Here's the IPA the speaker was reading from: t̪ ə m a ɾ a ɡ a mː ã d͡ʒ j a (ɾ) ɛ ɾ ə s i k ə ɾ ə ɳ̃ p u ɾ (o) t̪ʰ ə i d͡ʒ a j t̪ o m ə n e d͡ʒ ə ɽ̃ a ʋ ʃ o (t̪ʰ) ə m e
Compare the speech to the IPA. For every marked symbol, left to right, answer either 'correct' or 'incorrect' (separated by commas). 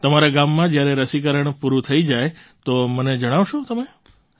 correct, incorrect, incorrect